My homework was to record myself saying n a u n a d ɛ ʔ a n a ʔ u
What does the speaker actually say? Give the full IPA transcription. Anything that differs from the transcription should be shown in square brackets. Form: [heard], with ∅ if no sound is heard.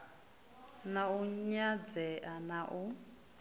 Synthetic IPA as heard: n a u [ɲ] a [d͡z] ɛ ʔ a n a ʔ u